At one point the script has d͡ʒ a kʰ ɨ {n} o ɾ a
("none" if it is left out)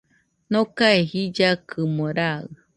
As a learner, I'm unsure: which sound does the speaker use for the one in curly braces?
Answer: m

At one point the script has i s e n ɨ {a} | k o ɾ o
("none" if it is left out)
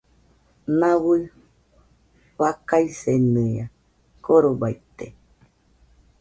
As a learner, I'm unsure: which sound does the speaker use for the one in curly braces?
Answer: a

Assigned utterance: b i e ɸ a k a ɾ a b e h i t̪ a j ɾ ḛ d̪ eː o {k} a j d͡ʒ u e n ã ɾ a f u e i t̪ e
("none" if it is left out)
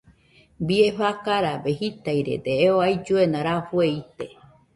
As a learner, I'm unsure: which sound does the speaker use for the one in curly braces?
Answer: none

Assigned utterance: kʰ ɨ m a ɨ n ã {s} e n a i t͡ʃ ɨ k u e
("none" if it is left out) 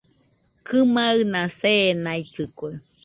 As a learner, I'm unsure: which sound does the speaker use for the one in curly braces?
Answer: s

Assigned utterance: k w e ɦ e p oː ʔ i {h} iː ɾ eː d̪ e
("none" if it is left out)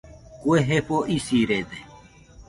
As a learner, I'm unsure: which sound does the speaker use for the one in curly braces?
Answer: s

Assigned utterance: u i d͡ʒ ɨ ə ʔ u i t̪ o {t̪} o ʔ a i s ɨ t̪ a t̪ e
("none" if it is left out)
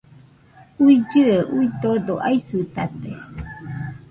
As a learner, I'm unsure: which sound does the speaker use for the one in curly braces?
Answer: d̪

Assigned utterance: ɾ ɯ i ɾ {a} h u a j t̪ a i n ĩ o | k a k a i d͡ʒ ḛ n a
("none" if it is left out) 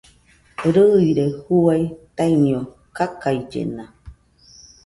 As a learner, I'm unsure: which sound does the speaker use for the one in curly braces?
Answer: e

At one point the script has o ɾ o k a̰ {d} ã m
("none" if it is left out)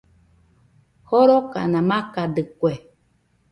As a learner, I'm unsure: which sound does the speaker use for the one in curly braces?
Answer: n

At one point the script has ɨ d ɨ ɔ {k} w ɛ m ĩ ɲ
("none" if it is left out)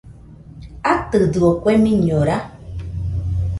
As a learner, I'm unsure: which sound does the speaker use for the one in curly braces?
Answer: k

